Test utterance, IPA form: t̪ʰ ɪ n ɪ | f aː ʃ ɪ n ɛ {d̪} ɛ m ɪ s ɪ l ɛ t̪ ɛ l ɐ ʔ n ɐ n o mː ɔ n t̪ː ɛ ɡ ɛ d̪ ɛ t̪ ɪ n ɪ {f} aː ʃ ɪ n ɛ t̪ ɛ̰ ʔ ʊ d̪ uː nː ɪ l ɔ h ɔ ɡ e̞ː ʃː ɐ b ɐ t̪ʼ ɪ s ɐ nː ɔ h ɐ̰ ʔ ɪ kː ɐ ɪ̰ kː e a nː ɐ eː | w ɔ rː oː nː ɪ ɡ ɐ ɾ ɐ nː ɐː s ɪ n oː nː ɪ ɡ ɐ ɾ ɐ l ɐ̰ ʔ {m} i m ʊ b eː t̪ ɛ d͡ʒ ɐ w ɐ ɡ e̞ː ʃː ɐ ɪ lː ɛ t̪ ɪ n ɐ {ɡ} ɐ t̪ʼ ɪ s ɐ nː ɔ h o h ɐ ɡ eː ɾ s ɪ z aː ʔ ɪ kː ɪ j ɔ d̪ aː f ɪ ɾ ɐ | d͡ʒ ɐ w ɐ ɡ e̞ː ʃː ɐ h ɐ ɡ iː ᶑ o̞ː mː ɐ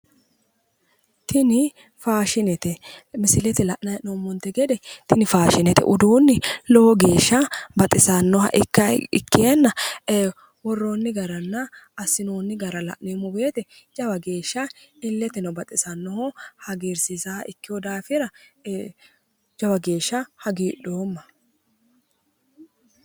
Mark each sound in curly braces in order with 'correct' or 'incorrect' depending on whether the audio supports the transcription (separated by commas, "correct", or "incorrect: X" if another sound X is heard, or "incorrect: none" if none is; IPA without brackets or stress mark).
incorrect: t̪, correct, incorrect: n, incorrect: b